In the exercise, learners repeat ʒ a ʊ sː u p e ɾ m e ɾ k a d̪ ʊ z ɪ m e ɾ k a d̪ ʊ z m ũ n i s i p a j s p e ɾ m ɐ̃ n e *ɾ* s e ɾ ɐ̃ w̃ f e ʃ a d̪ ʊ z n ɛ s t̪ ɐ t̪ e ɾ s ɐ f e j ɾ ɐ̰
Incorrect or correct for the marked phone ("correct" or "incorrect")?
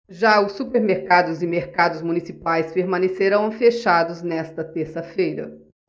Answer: incorrect